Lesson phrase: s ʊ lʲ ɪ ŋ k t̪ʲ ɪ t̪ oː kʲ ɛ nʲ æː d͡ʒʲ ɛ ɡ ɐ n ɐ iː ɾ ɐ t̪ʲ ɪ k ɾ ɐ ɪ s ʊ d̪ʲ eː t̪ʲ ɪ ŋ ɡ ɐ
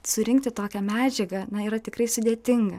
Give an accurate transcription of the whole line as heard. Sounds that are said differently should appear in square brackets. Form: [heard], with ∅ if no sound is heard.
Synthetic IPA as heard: s ʊ [ɾʲ] ɪ ŋ k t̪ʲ ɪ t̪ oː kʲ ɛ [mʲ] æː d͡ʒʲ ɛ ɡ ɐ n ɐ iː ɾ ɐ t̪ʲ ɪ k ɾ ɐ ɪ s ʊ d̪ʲ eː t̪ʲ ɪ ŋ ɡ ɐ

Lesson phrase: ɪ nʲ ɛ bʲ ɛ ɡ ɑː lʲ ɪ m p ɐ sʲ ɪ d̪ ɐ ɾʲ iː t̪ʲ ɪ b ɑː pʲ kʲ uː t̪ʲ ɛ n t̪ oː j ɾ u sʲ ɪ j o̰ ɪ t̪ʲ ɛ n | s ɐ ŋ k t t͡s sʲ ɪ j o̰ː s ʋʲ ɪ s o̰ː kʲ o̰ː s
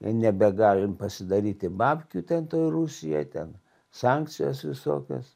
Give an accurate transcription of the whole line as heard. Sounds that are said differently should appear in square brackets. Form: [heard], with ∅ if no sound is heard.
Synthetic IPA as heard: ɪ nʲ ɛ bʲ ɛ ɡ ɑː lʲ ɪ m p ɐ sʲ ɪ d̪ ɐ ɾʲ iː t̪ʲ ɪ b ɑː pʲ kʲ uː t̪ʲ ɛ n t̪ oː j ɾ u sʲ ɪ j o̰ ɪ t̪ʲ ɛ n | s [ɑ] ŋ k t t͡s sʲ ɪ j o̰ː s ʋʲ ɪ s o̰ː kʲ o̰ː s

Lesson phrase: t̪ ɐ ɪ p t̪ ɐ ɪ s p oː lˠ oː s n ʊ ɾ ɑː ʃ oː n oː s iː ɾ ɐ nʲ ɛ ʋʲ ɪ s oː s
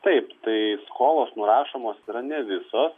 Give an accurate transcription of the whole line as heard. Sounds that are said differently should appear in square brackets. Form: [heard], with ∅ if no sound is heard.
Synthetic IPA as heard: t̪ ɐ ɪ p t̪ ɐ ɪ s [k] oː lˠ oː s n ʊ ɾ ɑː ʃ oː [m] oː s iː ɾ ɐ nʲ ɛ ʋʲ ɪ s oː s

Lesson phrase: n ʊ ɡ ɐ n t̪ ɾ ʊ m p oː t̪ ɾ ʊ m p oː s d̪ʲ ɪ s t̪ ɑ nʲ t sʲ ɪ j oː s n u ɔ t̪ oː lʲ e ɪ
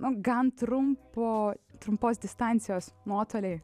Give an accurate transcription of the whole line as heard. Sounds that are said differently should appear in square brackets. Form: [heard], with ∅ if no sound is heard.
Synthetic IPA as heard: n ʊ ɡ ɐ n t̪ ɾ ʊ m p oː t̪ ɾ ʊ m p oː s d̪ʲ ɪ s t̪ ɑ nʲ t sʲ ɪ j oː s n u ɔ t̪ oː lʲ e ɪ

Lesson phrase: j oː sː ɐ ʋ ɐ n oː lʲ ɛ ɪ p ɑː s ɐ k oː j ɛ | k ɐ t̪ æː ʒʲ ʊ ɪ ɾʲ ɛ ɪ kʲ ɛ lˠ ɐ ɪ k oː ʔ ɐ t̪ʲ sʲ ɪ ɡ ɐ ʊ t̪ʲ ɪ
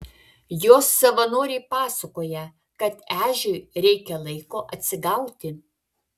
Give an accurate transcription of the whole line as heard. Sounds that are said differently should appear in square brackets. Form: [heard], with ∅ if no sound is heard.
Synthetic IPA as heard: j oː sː ɐ ʋ ɐ n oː [ɾʲ] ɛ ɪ p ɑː s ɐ k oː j ɛ | k ɐ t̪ æː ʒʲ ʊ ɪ ɾʲ ɛ ɪ kʲ ɛ lˠ ɐ ɪ k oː ʔ ɐ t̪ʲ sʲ ɪ ɡ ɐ ʊ t̪ʲ ɪ

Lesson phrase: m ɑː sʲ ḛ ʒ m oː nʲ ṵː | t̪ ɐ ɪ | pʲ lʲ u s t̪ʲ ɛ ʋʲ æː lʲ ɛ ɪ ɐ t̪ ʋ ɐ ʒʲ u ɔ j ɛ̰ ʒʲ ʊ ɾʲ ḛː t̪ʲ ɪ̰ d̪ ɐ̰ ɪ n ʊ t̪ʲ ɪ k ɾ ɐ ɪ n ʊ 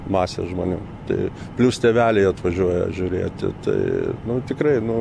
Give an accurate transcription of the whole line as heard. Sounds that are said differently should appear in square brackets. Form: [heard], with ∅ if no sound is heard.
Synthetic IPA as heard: m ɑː sʲ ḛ ʒ m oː nʲ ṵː | t̪ ɐ ɪ | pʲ lʲ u s t̪ʲ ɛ ʋʲ æː lʲ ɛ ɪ ɐ t̪ ʋ ɐ ʒʲ u ɔ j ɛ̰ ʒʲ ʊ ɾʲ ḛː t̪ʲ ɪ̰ [t̪] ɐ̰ ɪ n ʊ t̪ʲ ɪ k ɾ ɐ ɪ n ʊ

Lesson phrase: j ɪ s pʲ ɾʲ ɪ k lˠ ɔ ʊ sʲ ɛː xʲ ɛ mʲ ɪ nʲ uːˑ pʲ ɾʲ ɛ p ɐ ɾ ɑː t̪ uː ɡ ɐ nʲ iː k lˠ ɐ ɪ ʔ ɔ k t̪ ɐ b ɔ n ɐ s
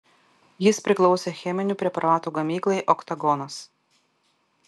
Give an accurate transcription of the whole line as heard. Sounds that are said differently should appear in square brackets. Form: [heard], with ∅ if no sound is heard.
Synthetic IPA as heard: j ɪ s pʲ ɾʲ ɪ k lˠ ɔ ʊ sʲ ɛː xʲ ɛ mʲ ɪ nʲ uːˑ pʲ ɾʲ ɛ p ɐ ɾ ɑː t̪ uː ɡ ɐ [mʲ] iː k lˠ ɐ ɪ ʔ ɔ k t̪ ɐ [ɡ] ɔ n ɐ s

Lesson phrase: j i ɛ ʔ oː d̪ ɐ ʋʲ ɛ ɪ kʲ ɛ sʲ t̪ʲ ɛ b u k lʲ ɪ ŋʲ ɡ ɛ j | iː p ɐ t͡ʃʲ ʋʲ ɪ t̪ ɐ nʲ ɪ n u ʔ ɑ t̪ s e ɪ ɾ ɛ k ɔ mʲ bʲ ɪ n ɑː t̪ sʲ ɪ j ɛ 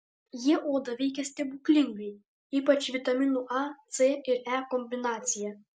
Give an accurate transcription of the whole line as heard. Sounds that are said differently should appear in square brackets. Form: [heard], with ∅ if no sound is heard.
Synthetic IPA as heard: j i ɛ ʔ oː d̪ ɐ ʋʲ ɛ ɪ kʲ ɛ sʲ t̪ʲ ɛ b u k lʲ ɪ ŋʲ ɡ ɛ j | iː p ɐ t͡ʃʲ ʋʲ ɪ t̪ ɐ [mʲ] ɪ n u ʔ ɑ t̪ s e ɪ ɾ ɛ k ɔ mʲ bʲ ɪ n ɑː t̪ sʲ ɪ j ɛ

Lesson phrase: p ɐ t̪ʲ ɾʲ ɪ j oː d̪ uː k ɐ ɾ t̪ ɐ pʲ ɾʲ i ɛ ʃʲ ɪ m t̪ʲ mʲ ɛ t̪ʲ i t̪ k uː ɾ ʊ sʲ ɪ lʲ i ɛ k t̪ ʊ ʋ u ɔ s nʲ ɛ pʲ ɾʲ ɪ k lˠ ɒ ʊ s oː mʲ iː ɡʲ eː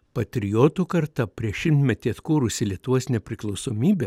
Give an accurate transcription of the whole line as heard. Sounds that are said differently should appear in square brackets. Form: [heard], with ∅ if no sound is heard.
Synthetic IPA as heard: p ɐ t̪ʲ ɾʲ ɪ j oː [t̪] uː k ɐ ɾ t̪ ɐ pʲ ɾʲ i ɛ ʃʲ ɪ m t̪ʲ mʲ ɛ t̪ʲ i t̪ k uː ɾ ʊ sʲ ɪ lʲ i ɛ [∅] t̪ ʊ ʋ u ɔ s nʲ ɛ pʲ ɾʲ ɪ k lˠ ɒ ʊ s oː mʲ iː [bʲ] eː

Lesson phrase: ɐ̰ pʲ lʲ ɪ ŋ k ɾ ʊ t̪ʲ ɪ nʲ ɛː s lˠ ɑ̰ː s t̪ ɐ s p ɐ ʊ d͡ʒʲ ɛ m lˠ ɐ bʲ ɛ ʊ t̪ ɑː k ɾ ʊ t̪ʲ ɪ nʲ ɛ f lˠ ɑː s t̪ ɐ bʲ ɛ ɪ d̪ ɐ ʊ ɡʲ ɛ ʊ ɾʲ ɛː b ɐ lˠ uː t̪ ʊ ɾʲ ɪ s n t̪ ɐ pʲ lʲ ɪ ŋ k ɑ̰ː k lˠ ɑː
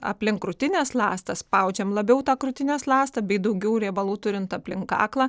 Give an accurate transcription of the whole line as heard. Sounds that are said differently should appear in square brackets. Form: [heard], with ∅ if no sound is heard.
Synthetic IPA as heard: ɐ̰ pʲ lʲ ɪ ŋ k ɾ ʊ t̪ʲ ɪ nʲ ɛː s lˠ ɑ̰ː s t̪ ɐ s p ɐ ʊ d͡ʒʲ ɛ m lˠ ɐ bʲ ɛ ʊ t̪ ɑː k ɾ ʊ t̪ʲ ɪ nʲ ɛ [s] lˠ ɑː s t̪ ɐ bʲ ɛ ɪ d̪ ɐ ʊ ɡʲ ɛ ʊ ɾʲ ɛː b ɐ lˠ uː t̪ ʊ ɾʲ ɪ [∅] n t̪ ɐ pʲ lʲ ɪ ŋ k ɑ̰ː k lˠ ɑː

